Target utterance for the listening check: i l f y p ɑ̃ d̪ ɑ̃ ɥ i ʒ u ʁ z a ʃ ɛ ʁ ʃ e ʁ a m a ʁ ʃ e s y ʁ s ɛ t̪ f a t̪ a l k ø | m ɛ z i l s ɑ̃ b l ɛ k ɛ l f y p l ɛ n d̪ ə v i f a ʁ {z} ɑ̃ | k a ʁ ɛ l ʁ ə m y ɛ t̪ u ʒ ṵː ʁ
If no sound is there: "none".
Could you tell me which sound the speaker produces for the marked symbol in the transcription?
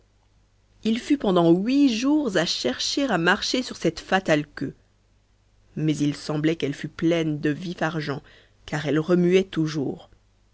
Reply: ʒ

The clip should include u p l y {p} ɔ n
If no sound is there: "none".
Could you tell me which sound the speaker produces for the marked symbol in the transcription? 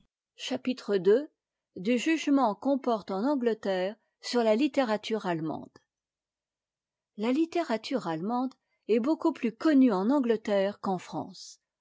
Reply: k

